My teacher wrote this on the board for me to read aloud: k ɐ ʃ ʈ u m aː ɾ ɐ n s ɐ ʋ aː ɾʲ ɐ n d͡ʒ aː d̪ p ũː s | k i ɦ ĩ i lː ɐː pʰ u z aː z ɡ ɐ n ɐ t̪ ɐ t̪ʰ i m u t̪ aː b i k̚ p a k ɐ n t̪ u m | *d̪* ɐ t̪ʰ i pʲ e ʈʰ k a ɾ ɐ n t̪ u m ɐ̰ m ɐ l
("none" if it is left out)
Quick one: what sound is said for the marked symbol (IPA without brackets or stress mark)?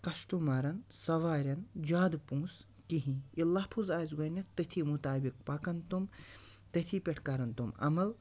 t̪